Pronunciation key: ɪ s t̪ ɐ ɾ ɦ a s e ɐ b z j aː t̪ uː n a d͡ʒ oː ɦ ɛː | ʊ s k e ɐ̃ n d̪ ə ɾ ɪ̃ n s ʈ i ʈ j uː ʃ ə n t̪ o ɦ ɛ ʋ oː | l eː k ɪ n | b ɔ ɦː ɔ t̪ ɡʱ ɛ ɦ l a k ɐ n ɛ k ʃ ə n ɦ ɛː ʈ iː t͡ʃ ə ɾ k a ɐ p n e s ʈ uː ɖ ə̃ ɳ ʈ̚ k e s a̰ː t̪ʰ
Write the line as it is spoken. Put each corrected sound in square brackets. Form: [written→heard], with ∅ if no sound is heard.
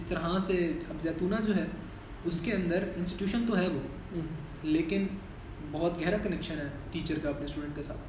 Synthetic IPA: ɪ s t̪ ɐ ɾ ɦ a s e ɐ b z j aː t̪ uː n a d͡ʒ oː ɦ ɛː | ʊ s k e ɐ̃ n d̪ ə ɾ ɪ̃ n s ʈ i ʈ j uː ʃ ə n t̪ o ɦ ɛ ʋ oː | l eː k ɪ n | b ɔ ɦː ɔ t̪ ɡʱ ɛ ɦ [l→ɾ] a k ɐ n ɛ k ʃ ə n ɦ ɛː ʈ iː t͡ʃ ə ɾ k a ɐ p n e s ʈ uː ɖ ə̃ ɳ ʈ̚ k e s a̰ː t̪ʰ